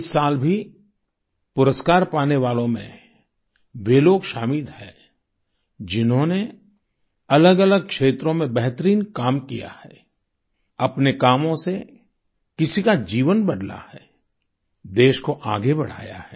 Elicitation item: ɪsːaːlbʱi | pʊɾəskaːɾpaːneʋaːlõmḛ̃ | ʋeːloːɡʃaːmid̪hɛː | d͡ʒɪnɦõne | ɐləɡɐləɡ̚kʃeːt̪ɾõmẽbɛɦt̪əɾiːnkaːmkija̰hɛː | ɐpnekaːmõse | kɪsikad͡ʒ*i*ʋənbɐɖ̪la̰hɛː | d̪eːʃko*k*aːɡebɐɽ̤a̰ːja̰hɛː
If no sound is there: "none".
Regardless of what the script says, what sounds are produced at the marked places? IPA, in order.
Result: iː, ʔ

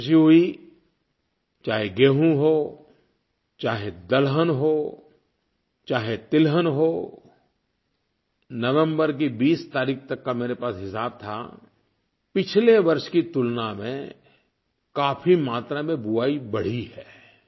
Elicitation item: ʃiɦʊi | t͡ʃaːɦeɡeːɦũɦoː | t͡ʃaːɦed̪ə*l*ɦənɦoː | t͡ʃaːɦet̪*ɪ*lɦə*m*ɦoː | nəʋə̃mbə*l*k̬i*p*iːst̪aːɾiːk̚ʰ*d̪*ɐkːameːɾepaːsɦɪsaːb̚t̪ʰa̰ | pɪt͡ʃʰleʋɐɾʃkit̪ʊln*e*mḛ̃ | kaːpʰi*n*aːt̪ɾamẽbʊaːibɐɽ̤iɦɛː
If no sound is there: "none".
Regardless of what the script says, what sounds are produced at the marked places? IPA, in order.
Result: l, ɪ, n, ɾ, b, t̪, a, m

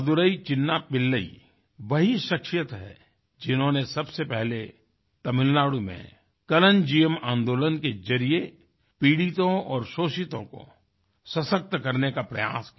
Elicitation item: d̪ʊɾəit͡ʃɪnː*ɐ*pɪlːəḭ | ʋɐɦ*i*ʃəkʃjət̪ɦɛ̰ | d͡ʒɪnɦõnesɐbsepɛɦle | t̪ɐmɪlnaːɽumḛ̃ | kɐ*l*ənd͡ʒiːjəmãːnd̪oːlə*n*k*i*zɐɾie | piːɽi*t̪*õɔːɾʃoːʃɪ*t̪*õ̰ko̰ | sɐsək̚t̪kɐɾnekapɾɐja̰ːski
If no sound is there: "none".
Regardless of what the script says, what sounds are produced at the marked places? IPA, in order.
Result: a, i, l, n, e, t̪, t̪

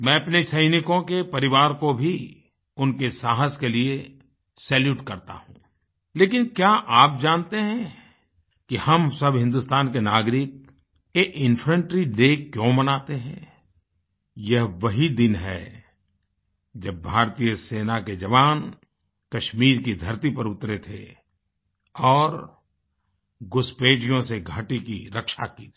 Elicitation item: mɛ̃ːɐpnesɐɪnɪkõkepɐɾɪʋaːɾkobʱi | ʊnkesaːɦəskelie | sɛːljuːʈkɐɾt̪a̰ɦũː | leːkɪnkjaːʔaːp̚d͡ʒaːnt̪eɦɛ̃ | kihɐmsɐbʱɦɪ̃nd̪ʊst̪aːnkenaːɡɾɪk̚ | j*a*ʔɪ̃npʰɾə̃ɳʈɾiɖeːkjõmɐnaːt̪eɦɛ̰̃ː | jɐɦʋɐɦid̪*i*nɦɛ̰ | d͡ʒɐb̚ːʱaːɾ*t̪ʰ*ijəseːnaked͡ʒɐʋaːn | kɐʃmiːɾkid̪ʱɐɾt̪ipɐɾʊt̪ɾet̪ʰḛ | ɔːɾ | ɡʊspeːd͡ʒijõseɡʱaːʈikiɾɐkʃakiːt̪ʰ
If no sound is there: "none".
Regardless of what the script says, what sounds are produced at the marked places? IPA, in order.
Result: e, ɪ, t̪

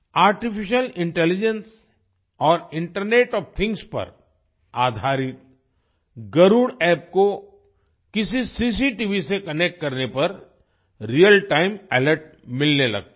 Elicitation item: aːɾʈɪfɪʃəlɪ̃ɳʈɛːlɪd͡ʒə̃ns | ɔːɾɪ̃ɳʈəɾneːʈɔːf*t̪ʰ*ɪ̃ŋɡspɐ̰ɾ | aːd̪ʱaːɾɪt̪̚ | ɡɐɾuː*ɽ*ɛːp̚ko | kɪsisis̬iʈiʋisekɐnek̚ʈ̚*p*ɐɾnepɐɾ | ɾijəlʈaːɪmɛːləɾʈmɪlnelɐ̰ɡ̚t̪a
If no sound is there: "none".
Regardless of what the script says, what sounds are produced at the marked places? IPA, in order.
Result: t̪ʰ, ɽ, k

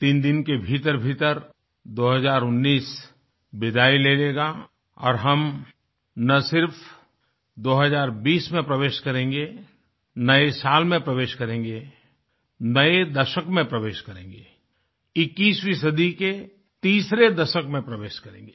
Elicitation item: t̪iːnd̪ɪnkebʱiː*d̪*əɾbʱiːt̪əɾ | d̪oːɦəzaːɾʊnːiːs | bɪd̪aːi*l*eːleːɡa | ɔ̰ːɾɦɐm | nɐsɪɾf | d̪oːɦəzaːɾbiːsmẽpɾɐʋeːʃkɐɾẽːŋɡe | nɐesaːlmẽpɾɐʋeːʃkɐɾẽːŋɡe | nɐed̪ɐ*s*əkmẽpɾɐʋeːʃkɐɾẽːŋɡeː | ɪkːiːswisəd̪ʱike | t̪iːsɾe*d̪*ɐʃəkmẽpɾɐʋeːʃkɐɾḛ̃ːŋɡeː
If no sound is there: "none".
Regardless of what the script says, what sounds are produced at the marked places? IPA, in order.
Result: t̪, l, ʃ, d̪

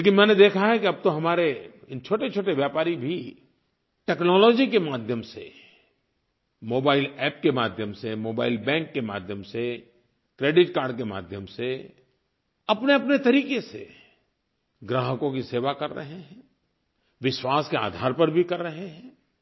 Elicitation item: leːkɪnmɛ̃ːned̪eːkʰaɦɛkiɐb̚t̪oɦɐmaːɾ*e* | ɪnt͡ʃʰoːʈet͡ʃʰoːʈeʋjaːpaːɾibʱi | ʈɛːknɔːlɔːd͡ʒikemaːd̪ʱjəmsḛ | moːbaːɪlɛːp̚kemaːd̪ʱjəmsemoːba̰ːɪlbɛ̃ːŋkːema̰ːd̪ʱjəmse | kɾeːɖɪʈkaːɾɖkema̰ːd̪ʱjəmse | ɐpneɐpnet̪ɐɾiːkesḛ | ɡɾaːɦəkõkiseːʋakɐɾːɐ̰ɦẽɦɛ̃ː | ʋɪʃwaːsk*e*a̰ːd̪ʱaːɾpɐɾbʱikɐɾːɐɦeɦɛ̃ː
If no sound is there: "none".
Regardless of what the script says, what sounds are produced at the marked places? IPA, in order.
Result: e, e

